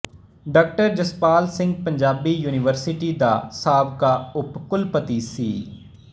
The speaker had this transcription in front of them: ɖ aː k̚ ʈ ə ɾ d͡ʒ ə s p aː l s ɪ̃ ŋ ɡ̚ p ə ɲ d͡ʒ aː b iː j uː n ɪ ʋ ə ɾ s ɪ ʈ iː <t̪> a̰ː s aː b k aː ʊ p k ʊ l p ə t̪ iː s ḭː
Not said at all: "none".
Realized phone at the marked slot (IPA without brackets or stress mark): d̪